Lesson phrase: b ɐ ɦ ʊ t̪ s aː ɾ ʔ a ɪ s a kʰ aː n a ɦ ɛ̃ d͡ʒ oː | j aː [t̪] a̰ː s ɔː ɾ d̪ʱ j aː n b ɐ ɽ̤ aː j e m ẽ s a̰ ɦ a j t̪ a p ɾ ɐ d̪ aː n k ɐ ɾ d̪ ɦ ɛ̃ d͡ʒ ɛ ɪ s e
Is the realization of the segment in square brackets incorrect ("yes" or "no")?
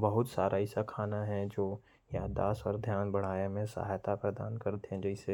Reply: yes